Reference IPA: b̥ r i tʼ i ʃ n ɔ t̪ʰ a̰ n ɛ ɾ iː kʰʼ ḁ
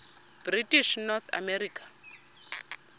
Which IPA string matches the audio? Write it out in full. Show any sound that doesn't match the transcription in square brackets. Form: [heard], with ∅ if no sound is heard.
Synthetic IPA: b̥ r i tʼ i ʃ n ɔ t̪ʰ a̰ [m] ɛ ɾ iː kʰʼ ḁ